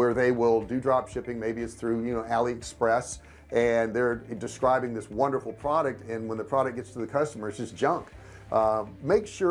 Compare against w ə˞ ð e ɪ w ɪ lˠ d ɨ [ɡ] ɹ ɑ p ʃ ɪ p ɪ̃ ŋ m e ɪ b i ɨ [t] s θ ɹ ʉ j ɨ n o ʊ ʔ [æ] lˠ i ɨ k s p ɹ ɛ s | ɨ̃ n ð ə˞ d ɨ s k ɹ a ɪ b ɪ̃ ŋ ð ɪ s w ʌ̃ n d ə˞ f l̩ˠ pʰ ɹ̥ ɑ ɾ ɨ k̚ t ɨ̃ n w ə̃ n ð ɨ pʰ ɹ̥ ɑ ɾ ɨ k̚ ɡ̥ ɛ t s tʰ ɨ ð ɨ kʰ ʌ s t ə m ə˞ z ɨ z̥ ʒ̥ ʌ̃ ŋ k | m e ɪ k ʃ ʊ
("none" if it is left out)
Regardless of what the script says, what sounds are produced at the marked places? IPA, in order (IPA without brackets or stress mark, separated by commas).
d, t, æ